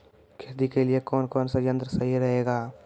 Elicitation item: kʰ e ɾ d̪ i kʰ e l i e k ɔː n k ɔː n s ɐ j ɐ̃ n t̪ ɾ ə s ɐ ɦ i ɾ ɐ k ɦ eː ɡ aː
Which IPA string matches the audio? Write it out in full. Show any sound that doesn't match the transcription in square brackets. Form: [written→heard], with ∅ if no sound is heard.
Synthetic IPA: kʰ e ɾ d̪ i [kʰ→k] e l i e k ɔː n k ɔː n s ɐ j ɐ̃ n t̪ ɾ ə s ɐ ɦ i ɾ ɐ [k→∅] ɦ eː ɡ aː